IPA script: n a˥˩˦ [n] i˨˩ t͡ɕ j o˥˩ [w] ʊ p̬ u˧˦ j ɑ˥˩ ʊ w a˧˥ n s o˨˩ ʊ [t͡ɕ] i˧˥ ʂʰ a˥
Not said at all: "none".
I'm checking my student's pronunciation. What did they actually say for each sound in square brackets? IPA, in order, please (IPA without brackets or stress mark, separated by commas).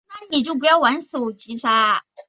n, none, t͡ɕ